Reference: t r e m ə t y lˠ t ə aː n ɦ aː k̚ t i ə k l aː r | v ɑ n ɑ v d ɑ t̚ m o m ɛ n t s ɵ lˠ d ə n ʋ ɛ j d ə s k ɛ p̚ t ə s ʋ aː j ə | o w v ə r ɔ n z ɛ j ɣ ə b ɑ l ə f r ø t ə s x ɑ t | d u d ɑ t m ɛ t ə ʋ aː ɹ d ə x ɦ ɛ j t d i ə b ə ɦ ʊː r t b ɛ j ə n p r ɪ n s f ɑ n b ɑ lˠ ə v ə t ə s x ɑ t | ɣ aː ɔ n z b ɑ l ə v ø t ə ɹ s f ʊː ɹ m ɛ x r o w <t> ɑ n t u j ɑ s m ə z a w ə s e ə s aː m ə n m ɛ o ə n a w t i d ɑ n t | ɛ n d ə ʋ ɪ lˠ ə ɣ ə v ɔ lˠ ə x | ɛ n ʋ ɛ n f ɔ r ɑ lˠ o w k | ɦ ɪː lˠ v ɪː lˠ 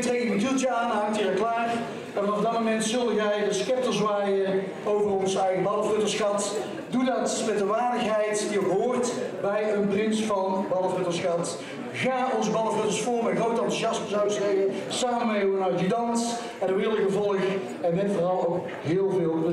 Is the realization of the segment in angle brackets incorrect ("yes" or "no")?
no